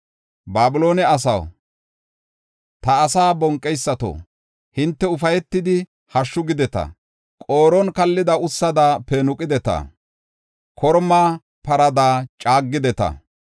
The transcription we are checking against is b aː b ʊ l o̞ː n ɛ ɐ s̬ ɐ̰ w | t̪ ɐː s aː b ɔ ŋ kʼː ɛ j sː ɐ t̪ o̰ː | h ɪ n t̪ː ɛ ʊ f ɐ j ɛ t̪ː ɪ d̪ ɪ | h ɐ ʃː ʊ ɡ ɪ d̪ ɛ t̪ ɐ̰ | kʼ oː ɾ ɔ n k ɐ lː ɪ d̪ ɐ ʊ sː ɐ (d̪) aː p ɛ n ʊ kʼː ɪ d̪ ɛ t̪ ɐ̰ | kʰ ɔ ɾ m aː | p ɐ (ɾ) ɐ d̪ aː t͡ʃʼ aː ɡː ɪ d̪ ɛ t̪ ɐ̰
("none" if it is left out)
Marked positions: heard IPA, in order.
d̪, ɾ

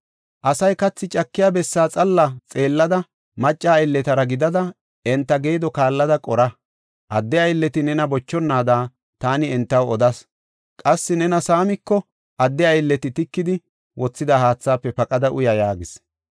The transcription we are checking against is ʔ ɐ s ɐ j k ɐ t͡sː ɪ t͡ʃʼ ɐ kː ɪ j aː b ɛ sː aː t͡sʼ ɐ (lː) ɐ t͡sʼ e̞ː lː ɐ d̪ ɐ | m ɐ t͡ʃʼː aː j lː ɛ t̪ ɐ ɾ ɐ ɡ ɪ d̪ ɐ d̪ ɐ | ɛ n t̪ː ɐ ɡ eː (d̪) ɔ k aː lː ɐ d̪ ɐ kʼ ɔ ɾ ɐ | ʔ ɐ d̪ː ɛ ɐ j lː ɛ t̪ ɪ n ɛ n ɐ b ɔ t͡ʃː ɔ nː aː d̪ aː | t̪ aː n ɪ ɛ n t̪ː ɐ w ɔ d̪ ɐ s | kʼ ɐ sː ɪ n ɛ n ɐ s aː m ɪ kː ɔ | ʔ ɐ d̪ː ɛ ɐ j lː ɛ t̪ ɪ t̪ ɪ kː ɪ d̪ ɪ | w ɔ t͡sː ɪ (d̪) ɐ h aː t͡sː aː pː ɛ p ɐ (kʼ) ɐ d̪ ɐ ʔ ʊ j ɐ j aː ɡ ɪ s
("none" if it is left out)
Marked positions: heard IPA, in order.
lː, d̪, d̪, kʼ

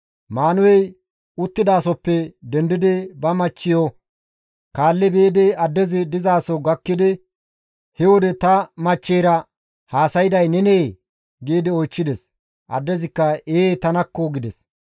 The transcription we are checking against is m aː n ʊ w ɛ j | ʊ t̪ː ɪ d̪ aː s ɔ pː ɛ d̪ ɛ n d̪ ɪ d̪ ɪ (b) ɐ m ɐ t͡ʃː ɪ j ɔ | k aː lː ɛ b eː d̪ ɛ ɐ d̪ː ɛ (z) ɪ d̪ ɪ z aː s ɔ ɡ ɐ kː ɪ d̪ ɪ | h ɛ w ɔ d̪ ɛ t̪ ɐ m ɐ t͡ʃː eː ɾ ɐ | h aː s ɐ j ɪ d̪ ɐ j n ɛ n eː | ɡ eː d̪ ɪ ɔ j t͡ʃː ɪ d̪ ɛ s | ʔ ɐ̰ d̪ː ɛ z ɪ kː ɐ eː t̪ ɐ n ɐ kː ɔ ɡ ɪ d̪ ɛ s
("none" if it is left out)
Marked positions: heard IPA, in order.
b, z

